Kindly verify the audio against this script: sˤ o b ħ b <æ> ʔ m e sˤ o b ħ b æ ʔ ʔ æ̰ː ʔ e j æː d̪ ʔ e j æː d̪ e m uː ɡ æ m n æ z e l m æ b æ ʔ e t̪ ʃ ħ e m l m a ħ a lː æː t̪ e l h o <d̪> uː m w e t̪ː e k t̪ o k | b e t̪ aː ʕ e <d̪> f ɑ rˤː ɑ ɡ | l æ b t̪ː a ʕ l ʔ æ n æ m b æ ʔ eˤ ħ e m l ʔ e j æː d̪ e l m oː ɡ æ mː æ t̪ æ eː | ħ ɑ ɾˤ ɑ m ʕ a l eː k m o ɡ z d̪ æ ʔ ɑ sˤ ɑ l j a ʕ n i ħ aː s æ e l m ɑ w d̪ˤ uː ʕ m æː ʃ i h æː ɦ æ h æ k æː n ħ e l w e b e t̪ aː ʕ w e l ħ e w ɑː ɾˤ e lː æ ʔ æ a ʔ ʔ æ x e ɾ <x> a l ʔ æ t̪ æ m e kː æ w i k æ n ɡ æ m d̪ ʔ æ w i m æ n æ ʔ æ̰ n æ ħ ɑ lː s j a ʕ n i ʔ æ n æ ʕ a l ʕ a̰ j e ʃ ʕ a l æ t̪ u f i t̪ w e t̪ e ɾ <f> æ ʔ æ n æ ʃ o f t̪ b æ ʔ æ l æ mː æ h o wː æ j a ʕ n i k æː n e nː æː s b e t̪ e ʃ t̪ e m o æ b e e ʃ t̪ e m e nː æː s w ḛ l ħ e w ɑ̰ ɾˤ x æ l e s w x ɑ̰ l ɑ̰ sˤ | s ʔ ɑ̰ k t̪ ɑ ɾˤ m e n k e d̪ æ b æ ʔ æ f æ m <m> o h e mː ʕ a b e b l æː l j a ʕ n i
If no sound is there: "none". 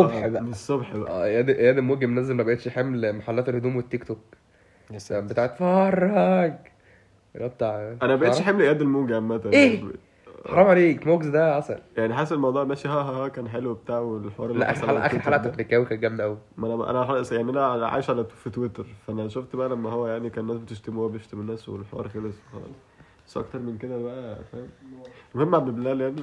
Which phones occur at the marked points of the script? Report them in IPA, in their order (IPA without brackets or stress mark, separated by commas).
æ, d̪, t̪, ħ, f, m